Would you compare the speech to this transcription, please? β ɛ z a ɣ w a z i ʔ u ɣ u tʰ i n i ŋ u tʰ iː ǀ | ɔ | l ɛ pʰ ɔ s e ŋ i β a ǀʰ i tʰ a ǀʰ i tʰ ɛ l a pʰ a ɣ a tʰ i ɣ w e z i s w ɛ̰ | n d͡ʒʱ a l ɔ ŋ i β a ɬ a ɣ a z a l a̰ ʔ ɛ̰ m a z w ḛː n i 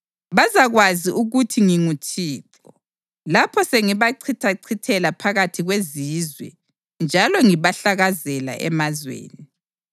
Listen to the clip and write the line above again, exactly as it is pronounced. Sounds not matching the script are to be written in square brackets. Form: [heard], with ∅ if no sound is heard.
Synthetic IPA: β [a] z a ɣ w a z i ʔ u ɣ u tʰ i [ŋ] i ŋ u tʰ iː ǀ | ɔ | l [a] pʰ ɔ s e ŋ i β a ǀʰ i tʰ a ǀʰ i tʰ ɛ l a pʰ a ɣ a tʰ i ɣ w e z i [z] w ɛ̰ | n d͡ʒʱ a l ɔ ŋ i β a ɬ a ɣ a z [ɛ] l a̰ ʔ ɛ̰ m a z w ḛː n i